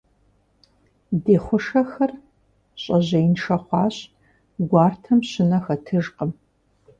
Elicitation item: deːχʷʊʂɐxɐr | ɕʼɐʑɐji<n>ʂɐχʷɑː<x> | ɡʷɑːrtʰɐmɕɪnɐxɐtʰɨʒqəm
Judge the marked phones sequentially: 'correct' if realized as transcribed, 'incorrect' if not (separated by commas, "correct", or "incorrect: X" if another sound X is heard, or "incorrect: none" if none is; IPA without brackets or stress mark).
correct, incorrect: ɕ